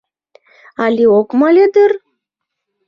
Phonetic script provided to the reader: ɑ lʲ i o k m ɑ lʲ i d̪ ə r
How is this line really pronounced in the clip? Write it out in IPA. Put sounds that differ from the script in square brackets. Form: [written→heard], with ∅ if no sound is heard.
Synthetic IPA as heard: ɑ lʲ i o k m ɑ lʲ [i→e] d̪ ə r

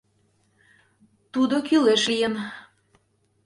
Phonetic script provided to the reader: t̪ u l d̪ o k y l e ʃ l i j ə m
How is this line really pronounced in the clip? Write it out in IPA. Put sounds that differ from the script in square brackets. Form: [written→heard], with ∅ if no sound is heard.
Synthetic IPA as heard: t̪ u [l→∅] d̪ o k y l e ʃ l i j ə [m→n]

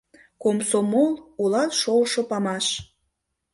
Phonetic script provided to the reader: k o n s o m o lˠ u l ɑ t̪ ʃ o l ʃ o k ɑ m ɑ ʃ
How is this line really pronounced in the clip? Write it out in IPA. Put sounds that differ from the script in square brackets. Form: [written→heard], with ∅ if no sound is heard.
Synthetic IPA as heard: k o [n→m] s o m o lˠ u l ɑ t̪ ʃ o l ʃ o [k→p] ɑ m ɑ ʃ

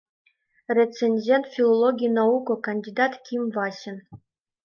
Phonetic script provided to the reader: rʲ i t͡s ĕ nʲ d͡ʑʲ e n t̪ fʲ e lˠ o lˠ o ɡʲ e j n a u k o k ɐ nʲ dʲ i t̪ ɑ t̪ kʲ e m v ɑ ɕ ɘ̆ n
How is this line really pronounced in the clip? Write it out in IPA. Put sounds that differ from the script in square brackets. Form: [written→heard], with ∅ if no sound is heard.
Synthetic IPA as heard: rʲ [i→e] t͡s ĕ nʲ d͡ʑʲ e n t̪ fʲ [e→i] lˠ o lˠ o ɡʲ [e→i] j n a u k o k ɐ nʲ dʲ i [t̪→d̪] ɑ t̪ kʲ [e→i] m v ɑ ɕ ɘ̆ n

